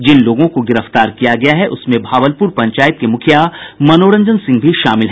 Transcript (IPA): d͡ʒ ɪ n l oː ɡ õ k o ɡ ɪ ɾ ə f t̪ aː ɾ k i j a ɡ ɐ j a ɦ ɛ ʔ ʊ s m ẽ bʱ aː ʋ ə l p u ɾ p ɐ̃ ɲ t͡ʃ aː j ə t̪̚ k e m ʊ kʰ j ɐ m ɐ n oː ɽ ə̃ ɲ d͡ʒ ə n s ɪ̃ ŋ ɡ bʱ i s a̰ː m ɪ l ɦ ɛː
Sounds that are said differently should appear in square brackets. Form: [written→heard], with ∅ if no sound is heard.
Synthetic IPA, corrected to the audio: d͡ʒ ɪ n l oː ɡ õ k o ɡ ɪ ɾ ə f t̪ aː ɾ k i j a ɡ ɐ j a ɦ ɛ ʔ ʊ s m ẽ bʱ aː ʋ ə l p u ɾ p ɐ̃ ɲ t͡ʃ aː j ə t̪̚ k e m ʊ kʰ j [ɐ→a] m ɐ n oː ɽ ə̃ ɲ d͡ʒ ə n s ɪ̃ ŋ ɡ bʱ i [s→ʃ] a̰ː m ɪ l ɦ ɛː